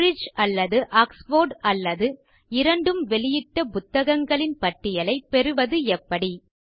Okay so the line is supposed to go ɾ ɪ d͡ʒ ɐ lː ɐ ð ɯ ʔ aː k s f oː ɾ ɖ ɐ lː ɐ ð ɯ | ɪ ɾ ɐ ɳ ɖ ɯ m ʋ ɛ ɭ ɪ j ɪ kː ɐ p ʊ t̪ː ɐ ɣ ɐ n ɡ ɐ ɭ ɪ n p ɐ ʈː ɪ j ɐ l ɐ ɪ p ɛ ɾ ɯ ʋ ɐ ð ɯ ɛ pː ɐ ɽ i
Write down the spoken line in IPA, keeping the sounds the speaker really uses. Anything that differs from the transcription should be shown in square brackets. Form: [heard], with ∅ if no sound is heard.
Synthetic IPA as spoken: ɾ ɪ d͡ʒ ɐ lː ɐ ð ɯ ʔ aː k s f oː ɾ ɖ ɐ lː ɐ ð ɯ | ɪ ɾ ɐ ɳ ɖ ɯ m ʋ ɛ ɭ ɪ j ɪ [ʈː] ɐ p ʊ t̪ː ɐ ɣ ɐ [ŋ] ɡ ɐ ɭ ɪ n p ɐ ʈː ɪ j ɐ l ɐ ɪ p ɛ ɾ ɯ ʋ ɐ ð ɯ ɛ pː ɐ ɽ i